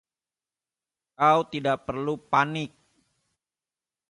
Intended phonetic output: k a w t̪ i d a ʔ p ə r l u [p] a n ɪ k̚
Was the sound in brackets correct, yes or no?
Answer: yes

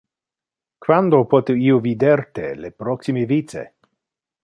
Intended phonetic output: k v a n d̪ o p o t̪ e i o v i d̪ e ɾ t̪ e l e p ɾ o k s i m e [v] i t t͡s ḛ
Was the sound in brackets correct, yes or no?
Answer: yes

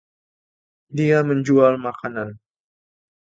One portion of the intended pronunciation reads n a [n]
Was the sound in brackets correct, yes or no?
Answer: yes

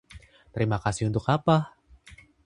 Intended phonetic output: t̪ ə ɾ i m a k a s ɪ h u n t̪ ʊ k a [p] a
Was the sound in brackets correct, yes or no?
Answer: yes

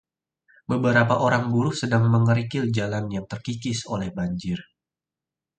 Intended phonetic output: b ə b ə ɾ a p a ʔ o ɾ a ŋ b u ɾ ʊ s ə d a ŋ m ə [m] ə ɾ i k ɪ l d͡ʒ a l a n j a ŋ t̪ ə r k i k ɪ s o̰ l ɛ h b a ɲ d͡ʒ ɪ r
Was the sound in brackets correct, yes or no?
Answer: no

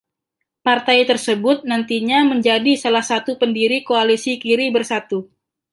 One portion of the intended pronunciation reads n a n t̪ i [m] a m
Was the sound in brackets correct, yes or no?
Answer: no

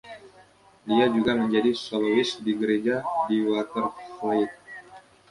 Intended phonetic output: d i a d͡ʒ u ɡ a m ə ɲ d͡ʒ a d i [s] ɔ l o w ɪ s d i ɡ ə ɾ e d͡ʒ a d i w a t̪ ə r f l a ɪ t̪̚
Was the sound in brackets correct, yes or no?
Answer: yes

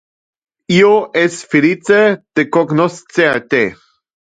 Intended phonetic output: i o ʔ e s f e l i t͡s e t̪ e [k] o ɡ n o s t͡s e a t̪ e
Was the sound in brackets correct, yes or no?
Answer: yes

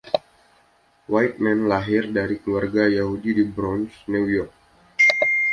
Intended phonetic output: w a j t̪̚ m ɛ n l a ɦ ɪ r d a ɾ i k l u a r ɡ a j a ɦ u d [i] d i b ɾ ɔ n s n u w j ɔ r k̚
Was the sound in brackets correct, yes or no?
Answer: yes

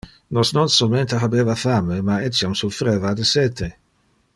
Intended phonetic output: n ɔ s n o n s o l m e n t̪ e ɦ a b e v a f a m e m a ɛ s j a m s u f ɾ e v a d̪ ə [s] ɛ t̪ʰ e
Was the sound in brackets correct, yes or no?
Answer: yes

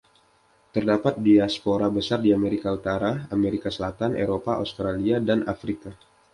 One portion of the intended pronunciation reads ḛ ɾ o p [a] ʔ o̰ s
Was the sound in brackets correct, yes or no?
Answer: yes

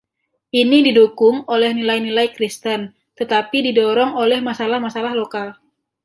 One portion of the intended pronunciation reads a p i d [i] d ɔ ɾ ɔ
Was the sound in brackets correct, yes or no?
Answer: yes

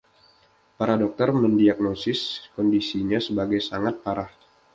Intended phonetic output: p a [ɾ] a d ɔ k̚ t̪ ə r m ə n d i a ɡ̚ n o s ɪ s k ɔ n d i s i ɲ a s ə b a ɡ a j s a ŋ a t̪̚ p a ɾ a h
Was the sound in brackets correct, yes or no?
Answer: yes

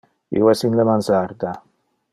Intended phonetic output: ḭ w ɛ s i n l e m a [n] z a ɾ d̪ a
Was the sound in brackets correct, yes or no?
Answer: yes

